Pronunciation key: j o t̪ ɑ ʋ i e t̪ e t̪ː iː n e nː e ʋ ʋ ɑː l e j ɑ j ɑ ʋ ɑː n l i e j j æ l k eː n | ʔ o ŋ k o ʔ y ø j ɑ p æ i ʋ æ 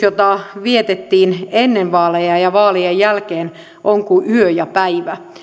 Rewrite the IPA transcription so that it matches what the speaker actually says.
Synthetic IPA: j o t̪ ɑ ʋ i e t̪ e t̪ː iː n e nː e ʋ ʋ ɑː l e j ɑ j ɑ ʋ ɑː l i e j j æ l k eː n | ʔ o ŋ k u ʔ y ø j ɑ p æ i ʋ æ